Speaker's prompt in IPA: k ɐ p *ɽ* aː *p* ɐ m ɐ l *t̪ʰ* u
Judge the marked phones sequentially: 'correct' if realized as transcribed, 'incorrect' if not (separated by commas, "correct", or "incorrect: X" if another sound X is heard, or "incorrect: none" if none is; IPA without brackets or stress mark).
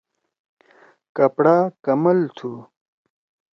correct, incorrect: k, correct